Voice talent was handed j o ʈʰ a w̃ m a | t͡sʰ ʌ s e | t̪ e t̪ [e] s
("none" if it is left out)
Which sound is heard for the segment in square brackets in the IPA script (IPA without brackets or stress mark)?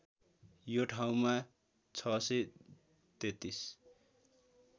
i